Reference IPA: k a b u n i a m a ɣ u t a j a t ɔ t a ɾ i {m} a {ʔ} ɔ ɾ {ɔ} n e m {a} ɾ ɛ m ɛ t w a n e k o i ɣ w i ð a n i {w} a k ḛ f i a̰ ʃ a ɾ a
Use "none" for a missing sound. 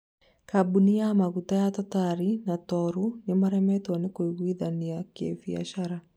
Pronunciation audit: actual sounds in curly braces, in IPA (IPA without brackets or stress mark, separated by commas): n, t, u, a, none